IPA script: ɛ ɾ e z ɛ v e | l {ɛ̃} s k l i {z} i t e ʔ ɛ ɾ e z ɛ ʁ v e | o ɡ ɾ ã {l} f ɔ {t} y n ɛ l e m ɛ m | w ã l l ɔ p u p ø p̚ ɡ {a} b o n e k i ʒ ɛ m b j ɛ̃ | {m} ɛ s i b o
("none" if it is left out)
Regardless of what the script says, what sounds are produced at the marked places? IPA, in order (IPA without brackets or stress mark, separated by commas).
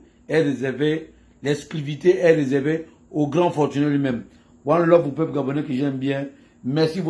ɛ, v, none, t, a, m